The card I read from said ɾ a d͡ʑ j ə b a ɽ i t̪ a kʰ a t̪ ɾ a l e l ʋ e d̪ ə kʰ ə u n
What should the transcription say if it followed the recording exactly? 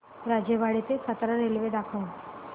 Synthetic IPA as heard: ɾ a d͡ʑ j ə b a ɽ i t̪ e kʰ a t̪ ɾ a ɾ e l ʋ e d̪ a kʰ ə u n

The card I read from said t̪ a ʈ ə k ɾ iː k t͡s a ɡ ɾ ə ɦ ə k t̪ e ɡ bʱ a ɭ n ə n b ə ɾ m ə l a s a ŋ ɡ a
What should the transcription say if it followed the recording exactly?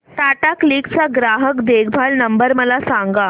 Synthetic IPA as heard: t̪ a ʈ a k l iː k t͡s a ɡ ɾ a ɦ ə k d̪ e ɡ bʱ a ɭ n ə m b ə ɾ m ə l a s a ŋ ɡ a

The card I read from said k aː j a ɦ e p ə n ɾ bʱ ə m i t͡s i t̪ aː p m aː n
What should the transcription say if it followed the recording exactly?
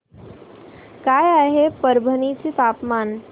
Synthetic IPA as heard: k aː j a ɦ e p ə ɾ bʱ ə n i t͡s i t̪ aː p m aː n

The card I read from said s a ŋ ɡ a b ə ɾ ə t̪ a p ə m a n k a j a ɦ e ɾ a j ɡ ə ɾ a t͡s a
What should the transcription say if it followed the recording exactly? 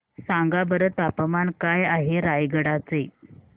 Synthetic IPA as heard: s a ŋ ɡ a b ə ɾ ə t̪ a p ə m a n k a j a ɦ e ɾ a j ɡ ə ɽ a t͡s e

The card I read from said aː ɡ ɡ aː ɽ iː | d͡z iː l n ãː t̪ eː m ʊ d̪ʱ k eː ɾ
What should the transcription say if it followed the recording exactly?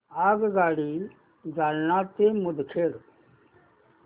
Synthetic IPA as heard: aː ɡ ɡ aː ɽ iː | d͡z aː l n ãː t̪ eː m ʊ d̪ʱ kʰ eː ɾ

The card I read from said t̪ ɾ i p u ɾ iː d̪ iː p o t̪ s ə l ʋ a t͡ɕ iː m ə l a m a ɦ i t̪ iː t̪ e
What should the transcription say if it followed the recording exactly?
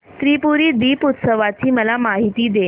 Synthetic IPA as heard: t̪ ɾ i p u ɾ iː d̪ iː p u t̪ s ə ʋ a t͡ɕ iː m ə l a m a ɦ i t̪ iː d̪ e

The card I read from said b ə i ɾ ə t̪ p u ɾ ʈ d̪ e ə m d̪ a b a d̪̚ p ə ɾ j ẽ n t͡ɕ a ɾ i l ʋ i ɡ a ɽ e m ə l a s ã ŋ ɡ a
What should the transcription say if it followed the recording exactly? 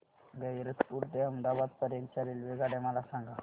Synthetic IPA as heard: ɡ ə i ɾ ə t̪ p u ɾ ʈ d̪ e ə m d̪ a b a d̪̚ p ə ɾ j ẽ n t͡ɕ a ɾ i l ʋ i ɡ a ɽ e m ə l a s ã ŋ ɡ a

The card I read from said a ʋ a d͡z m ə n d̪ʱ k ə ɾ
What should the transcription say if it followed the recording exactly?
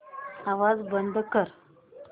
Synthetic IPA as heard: a ʋ a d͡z b ə n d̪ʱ k ə ɾ

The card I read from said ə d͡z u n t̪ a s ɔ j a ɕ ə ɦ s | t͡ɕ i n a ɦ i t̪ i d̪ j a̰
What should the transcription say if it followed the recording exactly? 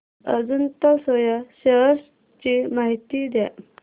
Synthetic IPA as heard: ə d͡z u n t̪ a s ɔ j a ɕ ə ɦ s | t͡ɕ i m a ɦ i t̪ i d̪ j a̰

